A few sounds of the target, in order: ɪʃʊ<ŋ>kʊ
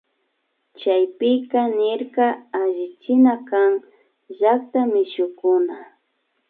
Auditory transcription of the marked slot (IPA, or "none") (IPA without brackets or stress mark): none